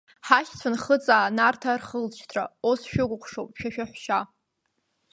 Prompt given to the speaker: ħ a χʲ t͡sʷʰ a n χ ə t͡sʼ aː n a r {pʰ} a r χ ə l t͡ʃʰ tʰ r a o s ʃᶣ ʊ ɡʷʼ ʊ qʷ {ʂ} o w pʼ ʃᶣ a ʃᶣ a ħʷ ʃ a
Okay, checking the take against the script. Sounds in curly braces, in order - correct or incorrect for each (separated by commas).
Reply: incorrect, correct